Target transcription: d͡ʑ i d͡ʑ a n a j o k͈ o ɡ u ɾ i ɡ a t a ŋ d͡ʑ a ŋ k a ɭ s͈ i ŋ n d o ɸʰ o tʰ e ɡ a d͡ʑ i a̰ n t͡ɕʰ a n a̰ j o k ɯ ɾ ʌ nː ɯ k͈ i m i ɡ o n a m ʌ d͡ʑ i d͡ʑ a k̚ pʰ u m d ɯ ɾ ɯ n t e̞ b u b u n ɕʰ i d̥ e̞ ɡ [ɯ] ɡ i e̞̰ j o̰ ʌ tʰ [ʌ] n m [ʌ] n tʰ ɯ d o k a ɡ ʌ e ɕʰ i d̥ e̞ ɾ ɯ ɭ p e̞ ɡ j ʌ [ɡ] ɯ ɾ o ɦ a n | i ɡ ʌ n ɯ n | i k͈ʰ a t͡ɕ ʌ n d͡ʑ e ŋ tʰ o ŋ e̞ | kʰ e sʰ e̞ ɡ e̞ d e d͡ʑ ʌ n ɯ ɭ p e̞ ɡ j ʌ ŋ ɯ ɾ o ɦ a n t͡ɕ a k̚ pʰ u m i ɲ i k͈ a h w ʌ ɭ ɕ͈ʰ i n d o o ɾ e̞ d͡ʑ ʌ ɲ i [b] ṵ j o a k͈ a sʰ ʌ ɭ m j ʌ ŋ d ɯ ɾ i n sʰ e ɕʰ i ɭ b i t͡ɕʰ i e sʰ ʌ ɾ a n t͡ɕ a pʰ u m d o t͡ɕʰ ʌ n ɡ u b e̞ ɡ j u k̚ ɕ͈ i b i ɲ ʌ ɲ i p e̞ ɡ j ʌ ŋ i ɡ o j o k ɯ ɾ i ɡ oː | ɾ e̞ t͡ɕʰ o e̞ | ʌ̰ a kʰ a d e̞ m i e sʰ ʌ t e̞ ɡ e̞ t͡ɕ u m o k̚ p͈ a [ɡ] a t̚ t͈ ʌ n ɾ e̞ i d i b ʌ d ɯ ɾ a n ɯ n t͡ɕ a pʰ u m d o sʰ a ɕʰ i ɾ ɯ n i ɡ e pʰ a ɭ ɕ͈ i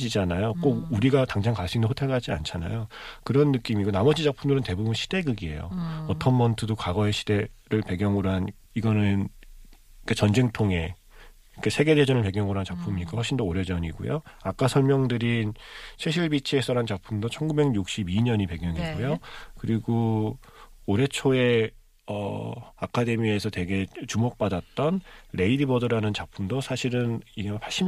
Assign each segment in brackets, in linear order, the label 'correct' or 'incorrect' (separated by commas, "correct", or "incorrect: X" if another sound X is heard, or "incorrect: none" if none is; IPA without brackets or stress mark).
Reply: correct, correct, correct, incorrect: ŋ, incorrect: ɡ, incorrect: d